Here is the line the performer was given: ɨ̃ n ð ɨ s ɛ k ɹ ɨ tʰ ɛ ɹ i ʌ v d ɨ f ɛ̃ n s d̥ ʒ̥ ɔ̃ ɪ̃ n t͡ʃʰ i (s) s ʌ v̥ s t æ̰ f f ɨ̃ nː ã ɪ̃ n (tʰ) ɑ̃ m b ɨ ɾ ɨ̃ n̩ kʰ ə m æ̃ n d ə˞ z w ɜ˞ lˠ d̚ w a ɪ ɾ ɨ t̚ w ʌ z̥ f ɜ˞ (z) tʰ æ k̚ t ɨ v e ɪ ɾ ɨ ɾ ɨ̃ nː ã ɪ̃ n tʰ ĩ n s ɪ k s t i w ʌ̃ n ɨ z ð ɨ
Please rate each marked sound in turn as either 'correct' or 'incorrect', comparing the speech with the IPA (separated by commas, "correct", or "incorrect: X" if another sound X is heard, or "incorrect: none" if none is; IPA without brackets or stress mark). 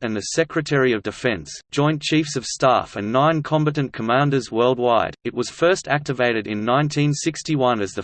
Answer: incorrect: f, incorrect: kʰ, incorrect: s